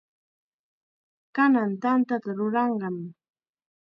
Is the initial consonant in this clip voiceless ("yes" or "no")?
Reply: yes